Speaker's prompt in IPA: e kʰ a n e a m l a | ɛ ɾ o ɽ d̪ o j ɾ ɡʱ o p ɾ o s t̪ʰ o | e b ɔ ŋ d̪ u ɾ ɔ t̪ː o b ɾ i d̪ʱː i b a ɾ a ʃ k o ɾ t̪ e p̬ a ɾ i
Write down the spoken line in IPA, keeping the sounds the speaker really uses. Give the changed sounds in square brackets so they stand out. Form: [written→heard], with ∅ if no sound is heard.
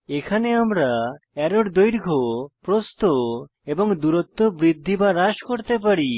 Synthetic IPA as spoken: e kʰ a n e a m [l→ɾ] a | ɛ ɾ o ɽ d̪ o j ɾ ɡʱ o p ɾ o s [t̪ʰ→t̪] o | e b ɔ ŋ d̪ u ɾ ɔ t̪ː o b ɾ i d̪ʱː i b a ɾ a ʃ k o ɾ t̪ e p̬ a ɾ i